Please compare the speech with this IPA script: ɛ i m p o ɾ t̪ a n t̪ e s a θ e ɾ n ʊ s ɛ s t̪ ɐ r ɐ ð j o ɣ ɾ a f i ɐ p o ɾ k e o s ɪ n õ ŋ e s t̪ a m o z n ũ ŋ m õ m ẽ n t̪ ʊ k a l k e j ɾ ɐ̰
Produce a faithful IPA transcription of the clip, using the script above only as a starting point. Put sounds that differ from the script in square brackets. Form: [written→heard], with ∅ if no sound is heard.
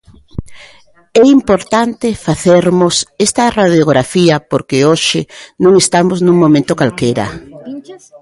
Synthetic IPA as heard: ɛ i m p o ɾ t̪ a n t̪ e [s→f] a θ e ɾ [n→m] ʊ s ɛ s t̪ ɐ r [ɐ→a] ð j o ɣ ɾ a f i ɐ p o ɾ k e o [s→ʃ] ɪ n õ ŋ e s t̪ a m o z n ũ ŋ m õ m ẽ n t̪ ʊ k a l k e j ɾ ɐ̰